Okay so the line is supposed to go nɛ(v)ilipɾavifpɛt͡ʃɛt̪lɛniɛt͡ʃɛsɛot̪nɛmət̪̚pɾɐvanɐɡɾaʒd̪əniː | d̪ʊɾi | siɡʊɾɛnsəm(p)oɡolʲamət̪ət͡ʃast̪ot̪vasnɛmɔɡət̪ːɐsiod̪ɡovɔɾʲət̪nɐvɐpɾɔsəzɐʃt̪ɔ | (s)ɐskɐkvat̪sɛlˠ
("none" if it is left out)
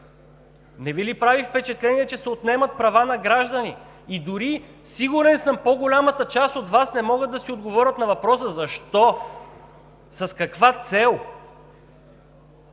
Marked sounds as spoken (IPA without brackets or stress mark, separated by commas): v, p, s